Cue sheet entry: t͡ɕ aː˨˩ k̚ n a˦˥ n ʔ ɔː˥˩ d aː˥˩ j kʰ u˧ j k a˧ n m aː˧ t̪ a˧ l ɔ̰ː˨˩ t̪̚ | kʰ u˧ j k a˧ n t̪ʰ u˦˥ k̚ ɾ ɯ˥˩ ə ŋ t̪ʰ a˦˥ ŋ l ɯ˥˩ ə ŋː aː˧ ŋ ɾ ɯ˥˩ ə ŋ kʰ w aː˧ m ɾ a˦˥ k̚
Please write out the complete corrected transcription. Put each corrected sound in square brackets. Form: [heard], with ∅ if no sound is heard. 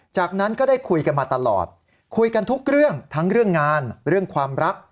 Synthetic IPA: t͡ɕ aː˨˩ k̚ n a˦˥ n [k] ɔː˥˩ d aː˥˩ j kʰ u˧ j k a˧ n m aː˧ t̪ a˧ l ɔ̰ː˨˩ t̪̚ | kʰ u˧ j k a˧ n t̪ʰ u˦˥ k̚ ɾ ɯ˥˩ ə ŋ t̪ʰ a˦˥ ŋ [ɾ] ɯ˥˩ ə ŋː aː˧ [n] ɾ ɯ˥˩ ə ŋ kʰ w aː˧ m ɾ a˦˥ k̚